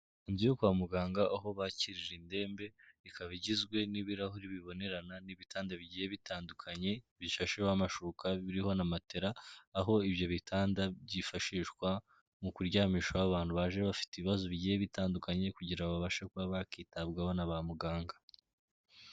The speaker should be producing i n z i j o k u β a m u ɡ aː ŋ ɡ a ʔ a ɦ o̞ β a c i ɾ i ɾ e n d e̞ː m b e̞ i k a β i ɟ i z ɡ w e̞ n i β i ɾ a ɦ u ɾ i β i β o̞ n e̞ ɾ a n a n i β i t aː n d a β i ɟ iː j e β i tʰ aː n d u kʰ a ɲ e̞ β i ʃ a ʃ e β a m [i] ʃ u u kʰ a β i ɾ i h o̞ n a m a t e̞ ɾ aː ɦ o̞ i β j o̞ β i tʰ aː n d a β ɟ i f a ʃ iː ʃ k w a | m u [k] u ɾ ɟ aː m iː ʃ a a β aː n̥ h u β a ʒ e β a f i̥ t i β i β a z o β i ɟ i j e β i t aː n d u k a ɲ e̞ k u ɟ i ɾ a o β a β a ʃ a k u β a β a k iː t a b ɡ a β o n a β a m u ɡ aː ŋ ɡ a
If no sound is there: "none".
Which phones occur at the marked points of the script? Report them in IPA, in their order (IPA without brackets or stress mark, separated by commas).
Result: a, k